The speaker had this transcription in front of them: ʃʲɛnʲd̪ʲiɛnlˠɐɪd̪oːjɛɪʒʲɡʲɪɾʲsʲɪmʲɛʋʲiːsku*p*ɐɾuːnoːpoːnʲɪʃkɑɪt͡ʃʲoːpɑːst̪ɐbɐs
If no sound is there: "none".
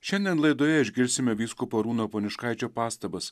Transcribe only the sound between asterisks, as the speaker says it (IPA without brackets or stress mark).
p